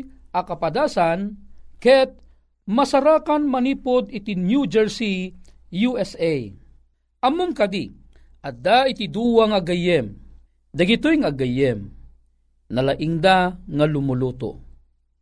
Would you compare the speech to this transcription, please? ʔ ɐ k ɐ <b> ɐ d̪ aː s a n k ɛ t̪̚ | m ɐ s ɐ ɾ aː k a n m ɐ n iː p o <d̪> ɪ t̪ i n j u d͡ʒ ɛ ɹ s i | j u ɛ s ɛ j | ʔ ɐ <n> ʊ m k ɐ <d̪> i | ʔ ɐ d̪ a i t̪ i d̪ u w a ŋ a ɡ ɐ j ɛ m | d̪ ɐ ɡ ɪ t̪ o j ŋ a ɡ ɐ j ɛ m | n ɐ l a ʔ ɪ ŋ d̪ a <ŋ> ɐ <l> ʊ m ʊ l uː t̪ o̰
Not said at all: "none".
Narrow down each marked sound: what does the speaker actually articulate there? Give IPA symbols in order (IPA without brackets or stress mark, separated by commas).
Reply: p, d̪, m, d̪, ŋ, l